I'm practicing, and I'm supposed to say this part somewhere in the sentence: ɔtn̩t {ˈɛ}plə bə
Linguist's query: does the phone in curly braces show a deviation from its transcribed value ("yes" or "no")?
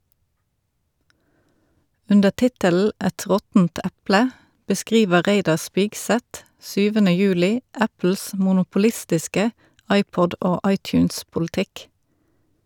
yes